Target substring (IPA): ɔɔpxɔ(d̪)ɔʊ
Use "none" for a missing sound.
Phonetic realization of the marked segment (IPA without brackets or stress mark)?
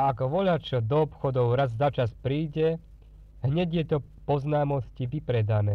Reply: d̪